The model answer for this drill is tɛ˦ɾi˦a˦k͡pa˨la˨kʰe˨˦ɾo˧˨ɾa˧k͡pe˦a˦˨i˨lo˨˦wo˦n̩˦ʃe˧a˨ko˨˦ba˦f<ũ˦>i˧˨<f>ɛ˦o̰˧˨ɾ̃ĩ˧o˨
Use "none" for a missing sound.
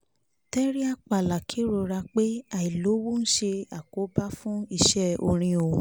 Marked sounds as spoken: ũ˦, ʃ

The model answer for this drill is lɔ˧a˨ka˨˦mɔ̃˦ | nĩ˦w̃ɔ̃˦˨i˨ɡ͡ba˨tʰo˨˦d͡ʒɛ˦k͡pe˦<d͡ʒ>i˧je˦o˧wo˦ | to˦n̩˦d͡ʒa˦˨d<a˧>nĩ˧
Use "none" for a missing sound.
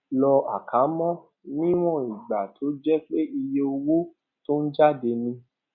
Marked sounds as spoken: none, e˧

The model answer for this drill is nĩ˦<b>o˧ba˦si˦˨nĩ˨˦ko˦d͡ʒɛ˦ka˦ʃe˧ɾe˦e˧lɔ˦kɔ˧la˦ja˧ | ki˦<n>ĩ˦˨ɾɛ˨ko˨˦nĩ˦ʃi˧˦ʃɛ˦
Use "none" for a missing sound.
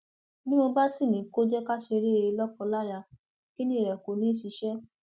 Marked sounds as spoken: m, n

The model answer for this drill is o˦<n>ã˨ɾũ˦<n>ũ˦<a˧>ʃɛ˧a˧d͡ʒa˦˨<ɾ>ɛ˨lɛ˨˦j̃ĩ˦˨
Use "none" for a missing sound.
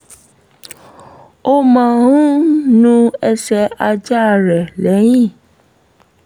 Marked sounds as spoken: m, n, ɛ˧, ɾ

